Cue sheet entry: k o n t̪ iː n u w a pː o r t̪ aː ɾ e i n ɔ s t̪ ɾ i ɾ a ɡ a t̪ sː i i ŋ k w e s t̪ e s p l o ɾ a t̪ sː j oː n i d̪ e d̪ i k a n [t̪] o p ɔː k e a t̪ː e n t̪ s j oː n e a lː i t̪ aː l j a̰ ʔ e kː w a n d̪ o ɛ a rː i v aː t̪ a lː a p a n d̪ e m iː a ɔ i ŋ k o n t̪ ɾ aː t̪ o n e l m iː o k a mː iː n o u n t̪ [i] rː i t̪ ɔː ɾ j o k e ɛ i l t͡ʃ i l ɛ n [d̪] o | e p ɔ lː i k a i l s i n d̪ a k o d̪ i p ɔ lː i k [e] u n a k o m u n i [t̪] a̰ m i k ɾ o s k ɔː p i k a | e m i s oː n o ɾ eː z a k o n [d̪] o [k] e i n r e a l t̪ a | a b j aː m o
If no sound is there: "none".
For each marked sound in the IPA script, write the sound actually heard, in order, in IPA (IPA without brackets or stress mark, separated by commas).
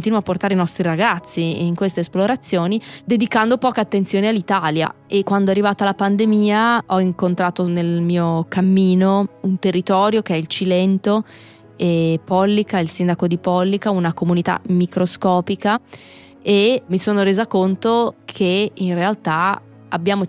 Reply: d̪, e, t̪, a, t̪, t̪, kʰ